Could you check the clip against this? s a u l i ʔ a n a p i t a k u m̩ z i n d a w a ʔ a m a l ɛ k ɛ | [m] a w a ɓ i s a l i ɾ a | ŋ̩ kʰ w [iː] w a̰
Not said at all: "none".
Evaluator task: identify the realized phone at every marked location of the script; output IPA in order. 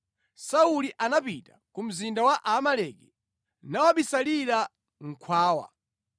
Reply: n, aː

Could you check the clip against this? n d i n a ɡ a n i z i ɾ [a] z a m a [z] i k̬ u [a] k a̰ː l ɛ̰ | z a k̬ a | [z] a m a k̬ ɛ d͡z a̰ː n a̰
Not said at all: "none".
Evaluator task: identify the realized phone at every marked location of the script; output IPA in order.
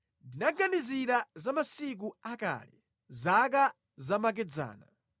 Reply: a, s, a, z

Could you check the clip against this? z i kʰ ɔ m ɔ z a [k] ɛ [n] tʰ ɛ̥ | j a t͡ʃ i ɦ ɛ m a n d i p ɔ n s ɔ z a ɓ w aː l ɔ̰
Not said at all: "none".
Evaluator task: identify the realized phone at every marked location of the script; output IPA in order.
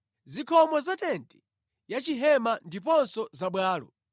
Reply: t, n

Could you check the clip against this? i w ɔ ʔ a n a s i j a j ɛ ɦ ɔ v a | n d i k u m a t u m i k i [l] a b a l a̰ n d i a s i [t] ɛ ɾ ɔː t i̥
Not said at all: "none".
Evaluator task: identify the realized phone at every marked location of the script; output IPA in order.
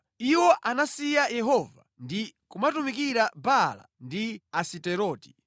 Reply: ɾ, t

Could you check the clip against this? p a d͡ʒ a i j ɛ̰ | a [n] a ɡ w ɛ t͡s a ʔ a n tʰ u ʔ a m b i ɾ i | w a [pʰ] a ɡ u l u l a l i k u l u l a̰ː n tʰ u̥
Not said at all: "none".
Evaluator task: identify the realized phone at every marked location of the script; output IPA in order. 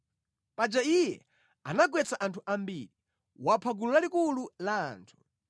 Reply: n, pʰ

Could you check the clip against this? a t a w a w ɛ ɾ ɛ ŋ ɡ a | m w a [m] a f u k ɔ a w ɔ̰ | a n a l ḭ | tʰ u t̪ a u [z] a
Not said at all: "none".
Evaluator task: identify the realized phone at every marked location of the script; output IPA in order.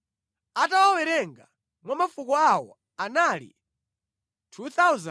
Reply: m, z

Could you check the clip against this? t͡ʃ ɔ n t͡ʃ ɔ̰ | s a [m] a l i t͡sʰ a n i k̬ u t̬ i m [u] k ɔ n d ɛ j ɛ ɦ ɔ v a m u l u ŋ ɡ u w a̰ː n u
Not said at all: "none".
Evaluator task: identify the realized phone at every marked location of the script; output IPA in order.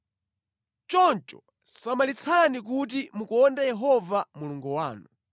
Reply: m, u

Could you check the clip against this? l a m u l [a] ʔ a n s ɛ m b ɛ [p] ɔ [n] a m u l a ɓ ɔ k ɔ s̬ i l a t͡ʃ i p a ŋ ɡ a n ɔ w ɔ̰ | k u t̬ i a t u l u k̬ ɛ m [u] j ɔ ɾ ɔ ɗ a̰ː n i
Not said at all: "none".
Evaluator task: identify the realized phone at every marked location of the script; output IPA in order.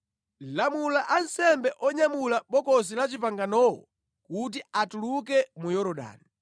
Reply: a, ʔ, ɲ, u

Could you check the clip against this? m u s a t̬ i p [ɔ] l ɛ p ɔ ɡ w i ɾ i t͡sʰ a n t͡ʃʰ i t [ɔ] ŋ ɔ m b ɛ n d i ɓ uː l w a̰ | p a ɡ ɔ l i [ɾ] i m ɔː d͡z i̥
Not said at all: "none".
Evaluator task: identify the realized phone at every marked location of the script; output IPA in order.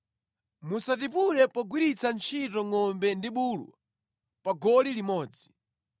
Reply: u, ɔ, l

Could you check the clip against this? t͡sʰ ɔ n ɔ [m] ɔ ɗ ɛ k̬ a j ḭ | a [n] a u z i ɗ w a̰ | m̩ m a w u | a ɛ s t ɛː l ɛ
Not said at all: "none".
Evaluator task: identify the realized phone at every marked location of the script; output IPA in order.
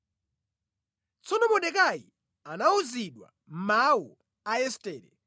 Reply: m, n

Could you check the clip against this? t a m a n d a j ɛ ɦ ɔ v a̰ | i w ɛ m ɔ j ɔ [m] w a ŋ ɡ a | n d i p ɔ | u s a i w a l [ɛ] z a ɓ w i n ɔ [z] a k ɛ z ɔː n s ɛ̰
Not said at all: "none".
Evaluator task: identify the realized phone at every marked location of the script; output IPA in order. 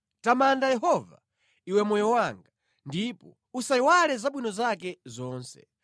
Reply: none, ɛ, z

